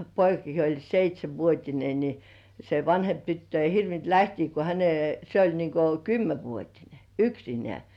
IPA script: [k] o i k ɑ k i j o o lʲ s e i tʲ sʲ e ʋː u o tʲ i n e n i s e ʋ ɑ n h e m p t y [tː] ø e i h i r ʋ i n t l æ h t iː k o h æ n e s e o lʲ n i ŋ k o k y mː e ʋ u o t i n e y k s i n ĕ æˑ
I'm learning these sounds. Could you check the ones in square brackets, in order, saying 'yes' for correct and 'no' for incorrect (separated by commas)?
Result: no, yes